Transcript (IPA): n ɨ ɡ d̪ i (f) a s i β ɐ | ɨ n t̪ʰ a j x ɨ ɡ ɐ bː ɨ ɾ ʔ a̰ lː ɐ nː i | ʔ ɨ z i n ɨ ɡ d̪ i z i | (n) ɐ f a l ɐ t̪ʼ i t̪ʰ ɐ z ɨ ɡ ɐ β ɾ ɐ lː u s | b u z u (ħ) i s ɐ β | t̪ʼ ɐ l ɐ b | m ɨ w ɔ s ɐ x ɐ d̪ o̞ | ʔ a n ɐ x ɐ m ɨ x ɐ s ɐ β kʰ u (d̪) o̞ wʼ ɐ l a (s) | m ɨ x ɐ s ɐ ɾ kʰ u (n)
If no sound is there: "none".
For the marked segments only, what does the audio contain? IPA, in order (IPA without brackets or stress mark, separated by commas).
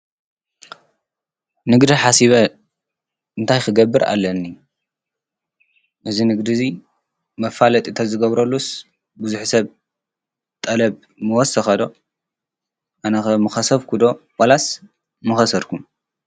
ħ, m, ħ, d̪, s, m